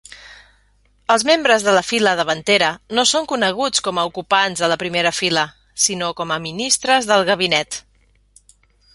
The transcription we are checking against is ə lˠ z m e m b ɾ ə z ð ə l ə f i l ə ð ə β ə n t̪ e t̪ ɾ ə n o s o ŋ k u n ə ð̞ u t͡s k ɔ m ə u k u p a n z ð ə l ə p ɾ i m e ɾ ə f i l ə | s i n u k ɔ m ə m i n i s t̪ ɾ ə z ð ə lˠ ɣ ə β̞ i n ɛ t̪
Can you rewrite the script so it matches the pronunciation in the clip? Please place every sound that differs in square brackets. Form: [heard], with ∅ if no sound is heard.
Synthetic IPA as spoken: ə lˠ z m e m b ɾ ə z ð ə l ə f i l ə ð ə β ə n t̪ e [∅] ɾ ə n o s o ŋ k u n ə [ɣ̞] u t͡s k ɔ m ə u k u p a n z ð ə l ə p ɾ i m e ɾ ə f i l ə | s i n [o] k ɔ m ə m i n i s t̪ ɾ ə z ð ə lˠ ɣ ə β̞ i n ɛ t̪